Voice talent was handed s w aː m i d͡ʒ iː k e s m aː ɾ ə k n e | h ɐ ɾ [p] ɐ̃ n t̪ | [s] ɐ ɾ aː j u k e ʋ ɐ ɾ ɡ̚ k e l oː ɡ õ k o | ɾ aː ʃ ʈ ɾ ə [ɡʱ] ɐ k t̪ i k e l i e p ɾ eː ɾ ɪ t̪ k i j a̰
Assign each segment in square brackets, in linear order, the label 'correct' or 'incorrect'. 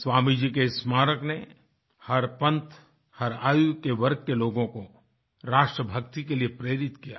correct, incorrect, incorrect

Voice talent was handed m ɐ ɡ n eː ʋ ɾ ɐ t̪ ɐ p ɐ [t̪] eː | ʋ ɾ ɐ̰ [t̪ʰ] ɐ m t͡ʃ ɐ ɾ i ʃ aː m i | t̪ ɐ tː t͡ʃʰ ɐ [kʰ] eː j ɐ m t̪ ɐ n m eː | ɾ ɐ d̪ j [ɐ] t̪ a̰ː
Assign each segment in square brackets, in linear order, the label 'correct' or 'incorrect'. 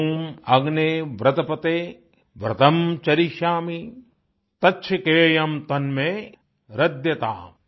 correct, incorrect, incorrect, correct

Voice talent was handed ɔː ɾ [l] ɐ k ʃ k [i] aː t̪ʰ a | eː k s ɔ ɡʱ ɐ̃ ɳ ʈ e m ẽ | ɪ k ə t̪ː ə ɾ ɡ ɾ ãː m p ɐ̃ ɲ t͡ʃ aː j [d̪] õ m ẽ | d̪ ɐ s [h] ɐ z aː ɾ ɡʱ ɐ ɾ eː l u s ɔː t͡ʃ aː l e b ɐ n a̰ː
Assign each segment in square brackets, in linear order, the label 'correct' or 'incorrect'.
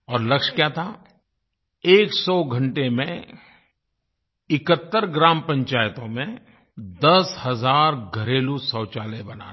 correct, incorrect, incorrect, correct

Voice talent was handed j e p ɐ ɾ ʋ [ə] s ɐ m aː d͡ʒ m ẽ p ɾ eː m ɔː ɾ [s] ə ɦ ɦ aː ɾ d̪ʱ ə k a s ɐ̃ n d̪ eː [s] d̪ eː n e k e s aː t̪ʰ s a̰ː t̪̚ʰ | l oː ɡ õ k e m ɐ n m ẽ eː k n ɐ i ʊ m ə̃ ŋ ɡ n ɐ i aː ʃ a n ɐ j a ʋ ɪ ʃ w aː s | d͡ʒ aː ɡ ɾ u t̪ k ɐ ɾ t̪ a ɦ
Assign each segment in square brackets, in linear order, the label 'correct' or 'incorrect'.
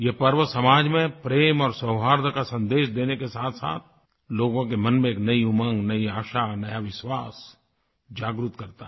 correct, correct, incorrect

